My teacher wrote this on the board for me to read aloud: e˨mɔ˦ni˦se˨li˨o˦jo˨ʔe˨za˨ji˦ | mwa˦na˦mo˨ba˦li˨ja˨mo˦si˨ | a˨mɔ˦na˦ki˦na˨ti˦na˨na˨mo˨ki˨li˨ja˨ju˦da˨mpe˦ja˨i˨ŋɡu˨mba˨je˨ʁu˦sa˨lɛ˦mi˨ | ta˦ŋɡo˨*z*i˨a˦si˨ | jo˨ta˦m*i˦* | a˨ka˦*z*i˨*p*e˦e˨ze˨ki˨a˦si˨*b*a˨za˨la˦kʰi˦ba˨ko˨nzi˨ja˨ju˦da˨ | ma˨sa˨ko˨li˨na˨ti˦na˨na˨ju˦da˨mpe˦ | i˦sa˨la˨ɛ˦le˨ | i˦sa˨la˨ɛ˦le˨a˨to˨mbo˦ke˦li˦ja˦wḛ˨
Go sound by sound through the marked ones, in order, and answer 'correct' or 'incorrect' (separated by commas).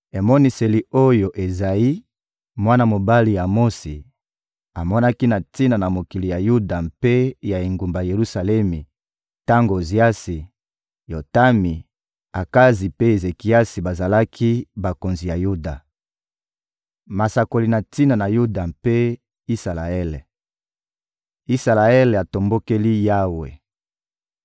correct, incorrect, correct, correct, correct